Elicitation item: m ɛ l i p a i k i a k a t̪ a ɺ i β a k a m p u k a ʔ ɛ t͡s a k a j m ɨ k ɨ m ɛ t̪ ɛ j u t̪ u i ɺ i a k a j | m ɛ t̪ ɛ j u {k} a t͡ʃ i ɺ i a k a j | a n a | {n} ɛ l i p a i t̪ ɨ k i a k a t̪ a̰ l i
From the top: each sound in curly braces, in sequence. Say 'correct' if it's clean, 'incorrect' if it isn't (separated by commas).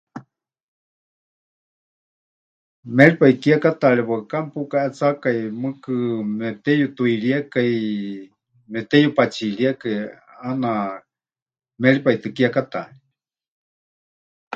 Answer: incorrect, incorrect